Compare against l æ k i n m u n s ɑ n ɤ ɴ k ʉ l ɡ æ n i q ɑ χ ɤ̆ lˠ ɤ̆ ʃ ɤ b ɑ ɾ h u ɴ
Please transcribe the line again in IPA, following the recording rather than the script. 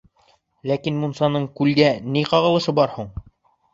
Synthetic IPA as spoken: l æ k i n m u n s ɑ n ɤ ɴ k ʉ l ɡ æ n i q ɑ ʁ ɤ̆ lˠ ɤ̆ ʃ ɤ b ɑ ɾ h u ɴ